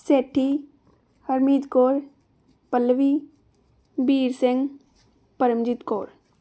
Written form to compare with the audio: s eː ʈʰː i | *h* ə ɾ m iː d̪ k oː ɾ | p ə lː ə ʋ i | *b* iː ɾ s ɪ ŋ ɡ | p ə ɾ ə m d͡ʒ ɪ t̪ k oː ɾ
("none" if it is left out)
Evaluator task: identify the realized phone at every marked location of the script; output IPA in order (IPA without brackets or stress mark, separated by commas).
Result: h, b